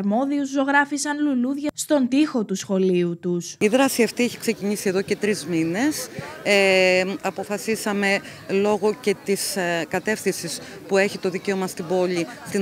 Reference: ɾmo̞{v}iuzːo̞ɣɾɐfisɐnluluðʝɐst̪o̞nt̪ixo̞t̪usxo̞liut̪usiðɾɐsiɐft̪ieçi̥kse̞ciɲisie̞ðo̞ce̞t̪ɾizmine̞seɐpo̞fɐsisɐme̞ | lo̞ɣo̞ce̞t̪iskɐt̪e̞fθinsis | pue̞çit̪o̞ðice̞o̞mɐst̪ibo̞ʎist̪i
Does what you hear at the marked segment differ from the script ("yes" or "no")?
yes